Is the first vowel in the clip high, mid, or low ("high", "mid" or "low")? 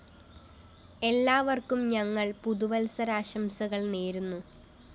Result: mid